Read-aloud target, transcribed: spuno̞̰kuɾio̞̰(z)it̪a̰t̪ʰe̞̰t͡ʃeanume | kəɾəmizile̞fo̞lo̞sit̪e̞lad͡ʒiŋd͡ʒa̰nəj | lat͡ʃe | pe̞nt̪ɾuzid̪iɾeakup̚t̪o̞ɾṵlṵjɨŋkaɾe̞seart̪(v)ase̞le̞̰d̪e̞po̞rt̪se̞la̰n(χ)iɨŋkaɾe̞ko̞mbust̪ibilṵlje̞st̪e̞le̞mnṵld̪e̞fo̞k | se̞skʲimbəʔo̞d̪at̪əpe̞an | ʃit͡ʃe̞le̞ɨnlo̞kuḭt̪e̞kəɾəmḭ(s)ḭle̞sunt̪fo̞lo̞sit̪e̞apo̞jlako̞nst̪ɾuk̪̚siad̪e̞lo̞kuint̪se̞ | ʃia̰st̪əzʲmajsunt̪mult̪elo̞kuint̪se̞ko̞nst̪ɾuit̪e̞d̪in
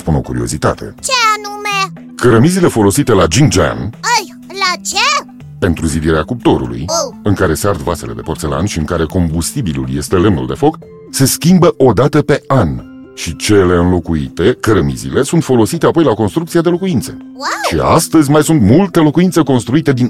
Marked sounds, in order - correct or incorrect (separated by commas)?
correct, correct, incorrect, incorrect